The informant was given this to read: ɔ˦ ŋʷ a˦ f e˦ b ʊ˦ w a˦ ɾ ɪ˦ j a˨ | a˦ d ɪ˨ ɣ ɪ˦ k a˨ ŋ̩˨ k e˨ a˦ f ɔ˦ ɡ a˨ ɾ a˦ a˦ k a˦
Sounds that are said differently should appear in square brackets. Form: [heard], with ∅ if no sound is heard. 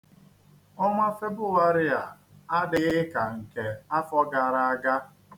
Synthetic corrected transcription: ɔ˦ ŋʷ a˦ f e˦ b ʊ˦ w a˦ ɾ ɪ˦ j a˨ | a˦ d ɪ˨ ɣ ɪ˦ k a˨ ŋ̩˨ k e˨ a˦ f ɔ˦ ɡ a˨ ɾ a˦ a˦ [ɡ] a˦